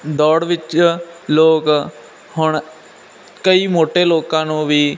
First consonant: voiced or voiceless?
voiced